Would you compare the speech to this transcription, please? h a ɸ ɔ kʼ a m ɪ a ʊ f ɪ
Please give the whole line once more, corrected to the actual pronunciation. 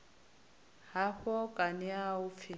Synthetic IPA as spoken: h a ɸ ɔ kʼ a n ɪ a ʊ f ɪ